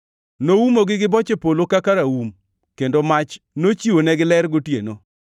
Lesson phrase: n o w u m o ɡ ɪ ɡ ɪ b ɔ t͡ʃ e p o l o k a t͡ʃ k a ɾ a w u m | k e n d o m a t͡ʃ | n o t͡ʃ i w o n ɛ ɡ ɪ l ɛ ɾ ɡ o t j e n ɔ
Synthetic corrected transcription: n o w u m o ɡ ɪ ɡ ɪ b ɔ t͡ʃ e p o l o k a k a ɾ a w u m | k e n d o m a t͡ʃ | n o t͡ʃ i w o n ɛ ɡ ɪ l ɛ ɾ ɡ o t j e n o